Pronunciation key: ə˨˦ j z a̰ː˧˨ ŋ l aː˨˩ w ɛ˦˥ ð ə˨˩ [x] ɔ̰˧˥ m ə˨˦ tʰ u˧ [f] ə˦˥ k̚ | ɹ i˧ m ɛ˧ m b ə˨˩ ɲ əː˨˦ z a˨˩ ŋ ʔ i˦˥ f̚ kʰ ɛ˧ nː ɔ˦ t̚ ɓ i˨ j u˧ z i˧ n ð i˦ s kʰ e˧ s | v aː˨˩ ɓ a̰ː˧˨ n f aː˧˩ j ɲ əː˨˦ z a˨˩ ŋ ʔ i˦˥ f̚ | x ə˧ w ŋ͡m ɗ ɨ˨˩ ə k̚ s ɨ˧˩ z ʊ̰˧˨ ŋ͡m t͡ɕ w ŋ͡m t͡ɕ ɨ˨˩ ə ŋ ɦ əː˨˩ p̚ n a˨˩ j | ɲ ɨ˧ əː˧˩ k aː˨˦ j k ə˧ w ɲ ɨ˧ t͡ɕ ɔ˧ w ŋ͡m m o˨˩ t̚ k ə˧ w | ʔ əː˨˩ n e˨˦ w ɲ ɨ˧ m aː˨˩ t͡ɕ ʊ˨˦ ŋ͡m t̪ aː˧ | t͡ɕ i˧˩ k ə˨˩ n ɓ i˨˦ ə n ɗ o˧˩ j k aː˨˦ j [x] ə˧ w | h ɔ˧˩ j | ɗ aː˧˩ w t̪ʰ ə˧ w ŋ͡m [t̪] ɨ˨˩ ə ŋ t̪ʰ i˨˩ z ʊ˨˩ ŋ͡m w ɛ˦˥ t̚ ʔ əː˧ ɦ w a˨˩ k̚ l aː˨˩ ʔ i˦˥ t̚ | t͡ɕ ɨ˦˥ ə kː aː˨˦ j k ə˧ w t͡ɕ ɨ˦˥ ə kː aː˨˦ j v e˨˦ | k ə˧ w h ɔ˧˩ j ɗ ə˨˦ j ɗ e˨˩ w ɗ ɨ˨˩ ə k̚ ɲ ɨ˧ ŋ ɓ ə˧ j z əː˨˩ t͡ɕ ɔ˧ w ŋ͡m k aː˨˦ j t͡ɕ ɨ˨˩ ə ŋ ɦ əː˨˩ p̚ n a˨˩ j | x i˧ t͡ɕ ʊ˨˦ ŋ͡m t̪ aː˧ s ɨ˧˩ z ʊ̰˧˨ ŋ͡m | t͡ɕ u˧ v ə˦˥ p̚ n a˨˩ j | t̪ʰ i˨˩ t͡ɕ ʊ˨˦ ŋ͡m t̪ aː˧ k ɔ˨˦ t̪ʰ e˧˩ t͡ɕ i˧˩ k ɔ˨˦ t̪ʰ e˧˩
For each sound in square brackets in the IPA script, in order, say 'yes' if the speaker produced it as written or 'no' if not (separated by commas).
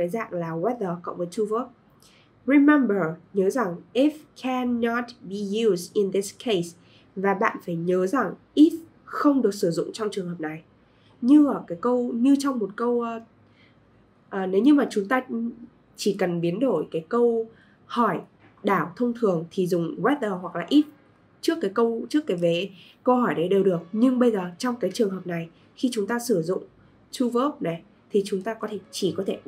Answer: no, no, no, no